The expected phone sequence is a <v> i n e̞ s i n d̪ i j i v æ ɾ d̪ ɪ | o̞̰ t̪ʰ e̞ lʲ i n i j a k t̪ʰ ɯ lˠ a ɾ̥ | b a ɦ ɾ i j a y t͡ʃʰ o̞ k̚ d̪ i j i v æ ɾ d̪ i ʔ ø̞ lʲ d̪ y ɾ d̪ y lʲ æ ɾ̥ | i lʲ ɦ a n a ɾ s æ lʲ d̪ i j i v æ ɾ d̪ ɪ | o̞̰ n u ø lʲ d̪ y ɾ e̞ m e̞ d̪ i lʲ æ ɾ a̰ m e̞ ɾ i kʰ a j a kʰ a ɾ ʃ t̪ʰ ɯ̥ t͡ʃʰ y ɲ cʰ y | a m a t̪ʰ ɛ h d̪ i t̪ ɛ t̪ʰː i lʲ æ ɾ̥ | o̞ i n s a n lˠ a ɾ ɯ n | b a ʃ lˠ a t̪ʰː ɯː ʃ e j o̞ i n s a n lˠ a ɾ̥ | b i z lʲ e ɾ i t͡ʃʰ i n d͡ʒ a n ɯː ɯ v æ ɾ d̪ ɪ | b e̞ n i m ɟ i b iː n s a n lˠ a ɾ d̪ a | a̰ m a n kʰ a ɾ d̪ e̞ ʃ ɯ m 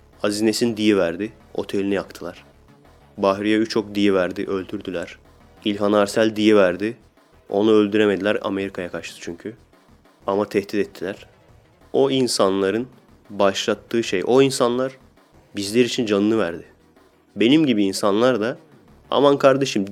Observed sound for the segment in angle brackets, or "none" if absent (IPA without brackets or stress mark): z